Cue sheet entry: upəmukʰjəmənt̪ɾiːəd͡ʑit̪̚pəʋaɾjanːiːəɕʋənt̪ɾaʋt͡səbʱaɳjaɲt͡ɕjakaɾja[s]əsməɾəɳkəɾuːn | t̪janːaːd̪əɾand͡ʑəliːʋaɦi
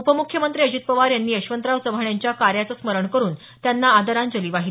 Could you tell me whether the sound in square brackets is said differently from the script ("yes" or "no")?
yes